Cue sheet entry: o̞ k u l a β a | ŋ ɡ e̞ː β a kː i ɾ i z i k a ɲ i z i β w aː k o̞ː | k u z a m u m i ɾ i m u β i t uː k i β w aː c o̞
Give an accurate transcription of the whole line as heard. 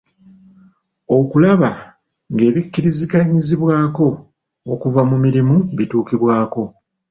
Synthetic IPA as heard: o̞ k u l a β a | ŋ ɡ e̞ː β i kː i ɾ i z i k a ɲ i z i β w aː k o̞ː | k u v a m u m i ɾ i m u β i t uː k i β w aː k o̞